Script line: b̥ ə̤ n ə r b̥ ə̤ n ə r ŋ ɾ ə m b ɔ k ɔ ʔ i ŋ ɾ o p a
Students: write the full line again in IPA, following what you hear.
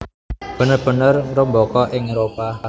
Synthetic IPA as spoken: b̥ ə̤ n ə r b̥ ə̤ n ə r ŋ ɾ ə m b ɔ k ɔ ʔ ɪ ŋ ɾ o p a